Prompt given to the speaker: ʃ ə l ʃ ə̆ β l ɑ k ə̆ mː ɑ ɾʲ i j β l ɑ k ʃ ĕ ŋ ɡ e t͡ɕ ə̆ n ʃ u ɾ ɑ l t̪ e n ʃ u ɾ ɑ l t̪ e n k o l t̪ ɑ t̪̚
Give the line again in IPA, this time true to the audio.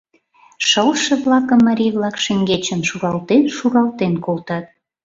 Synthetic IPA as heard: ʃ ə l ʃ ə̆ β l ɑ k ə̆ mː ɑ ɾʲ i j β l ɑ k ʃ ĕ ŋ ɡ e t͡ɕ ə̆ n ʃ u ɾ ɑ l t̪ e n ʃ u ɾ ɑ l t̪ e n k o l t̪ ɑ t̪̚